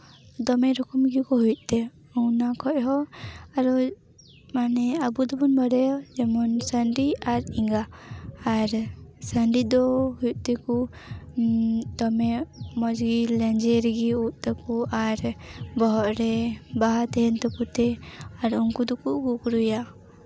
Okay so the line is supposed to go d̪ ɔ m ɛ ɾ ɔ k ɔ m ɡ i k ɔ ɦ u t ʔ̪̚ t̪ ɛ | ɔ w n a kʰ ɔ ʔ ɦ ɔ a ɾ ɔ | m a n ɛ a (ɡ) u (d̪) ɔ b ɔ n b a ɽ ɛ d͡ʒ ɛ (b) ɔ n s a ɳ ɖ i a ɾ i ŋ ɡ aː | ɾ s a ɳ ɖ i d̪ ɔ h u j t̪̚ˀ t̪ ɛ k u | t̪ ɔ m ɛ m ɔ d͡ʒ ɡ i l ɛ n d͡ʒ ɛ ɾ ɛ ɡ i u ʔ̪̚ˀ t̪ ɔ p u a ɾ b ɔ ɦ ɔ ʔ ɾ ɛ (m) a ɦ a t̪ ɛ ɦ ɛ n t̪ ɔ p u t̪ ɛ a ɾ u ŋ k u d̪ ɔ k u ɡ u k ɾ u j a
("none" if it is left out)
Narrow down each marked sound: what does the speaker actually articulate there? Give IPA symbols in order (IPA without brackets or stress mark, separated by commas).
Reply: b, d̪, m, b